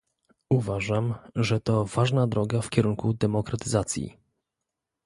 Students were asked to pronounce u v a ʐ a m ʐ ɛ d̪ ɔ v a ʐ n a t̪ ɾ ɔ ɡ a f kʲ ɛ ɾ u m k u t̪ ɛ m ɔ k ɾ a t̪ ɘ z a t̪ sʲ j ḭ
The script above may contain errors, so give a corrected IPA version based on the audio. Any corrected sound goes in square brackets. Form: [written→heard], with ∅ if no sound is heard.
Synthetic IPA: u v a ʐ a m ʐ ɛ [d̪→t̪] ɔ v a ʐ n a [t̪→d̪] ɾ ɔ ɡ a f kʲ ɛ ɾ u [m→ŋ] k u [t̪→d̪] ɛ m ɔ k ɾ a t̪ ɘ z a t̪ sʲ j ḭ